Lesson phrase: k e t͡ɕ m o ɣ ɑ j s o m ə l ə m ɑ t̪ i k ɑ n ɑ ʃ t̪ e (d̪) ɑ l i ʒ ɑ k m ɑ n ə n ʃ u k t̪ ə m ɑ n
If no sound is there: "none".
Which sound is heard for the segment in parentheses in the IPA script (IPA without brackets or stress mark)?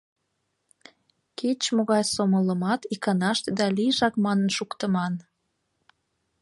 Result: d̪